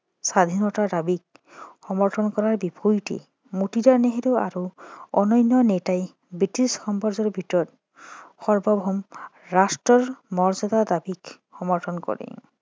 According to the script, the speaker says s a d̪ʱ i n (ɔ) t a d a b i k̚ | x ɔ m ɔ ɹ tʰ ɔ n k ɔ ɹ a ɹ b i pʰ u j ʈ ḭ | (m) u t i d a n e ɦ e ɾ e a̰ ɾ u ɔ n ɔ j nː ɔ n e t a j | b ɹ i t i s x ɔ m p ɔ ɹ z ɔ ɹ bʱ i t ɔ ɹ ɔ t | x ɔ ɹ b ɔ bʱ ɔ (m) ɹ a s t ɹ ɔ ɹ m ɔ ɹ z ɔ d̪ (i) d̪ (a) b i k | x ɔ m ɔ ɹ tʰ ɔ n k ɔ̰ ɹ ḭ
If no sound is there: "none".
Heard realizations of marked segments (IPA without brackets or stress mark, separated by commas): ɔ, m, m, a, a